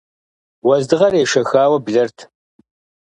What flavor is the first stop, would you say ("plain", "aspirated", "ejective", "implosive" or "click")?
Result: plain